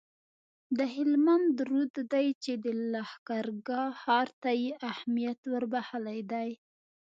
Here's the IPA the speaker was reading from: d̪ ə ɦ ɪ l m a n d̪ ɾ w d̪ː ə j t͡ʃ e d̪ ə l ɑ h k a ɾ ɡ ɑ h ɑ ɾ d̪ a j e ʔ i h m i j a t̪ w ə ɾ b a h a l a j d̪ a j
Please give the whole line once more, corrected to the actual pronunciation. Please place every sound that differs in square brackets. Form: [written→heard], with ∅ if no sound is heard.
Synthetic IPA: d̪ ə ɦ ɪ l m a n d̪ ɾ [w→u] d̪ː [ə→a] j t͡ʃ e d̪ ə l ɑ h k a ɾ ɡ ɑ h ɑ ɾ [d̪→t̪] a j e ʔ [i→a] h m i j a t̪ w ə ɾ b a h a l a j d̪ a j